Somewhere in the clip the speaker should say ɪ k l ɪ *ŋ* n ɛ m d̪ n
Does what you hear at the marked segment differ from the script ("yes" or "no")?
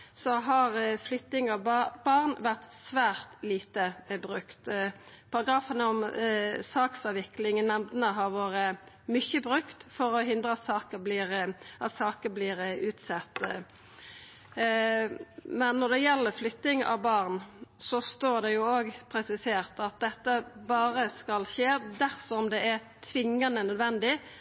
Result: no